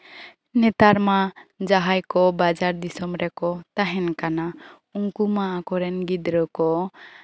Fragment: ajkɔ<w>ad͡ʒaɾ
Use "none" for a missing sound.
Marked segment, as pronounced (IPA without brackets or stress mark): b